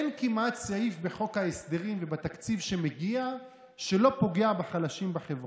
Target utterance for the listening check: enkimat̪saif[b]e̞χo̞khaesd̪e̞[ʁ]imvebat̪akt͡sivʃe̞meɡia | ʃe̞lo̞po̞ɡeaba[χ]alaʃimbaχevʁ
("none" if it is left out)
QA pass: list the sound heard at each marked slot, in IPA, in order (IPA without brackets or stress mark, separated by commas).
b, ʁ, χ